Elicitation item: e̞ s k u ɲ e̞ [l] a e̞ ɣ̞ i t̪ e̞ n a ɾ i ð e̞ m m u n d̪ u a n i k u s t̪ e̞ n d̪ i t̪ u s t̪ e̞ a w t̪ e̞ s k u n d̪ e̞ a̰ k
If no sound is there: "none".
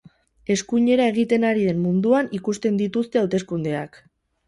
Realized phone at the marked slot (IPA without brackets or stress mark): ɾ